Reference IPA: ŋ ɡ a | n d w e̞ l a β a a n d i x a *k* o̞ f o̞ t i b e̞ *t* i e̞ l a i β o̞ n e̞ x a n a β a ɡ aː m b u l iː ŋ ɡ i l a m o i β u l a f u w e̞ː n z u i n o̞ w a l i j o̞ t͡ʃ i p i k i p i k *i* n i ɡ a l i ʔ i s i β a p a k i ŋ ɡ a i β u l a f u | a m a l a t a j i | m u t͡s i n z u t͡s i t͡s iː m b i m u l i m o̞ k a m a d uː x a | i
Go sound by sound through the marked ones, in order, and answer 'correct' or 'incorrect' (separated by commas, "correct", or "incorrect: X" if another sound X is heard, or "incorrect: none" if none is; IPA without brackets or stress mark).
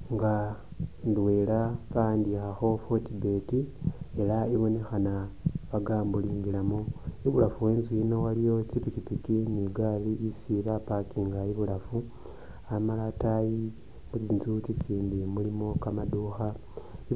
incorrect: x, correct, correct